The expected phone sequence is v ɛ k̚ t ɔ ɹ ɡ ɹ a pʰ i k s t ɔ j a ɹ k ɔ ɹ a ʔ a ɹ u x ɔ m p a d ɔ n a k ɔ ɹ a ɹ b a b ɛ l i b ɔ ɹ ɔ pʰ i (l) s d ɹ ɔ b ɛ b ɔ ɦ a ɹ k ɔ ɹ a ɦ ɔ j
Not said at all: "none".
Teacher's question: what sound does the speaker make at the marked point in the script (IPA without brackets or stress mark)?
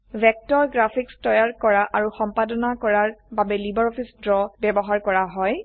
none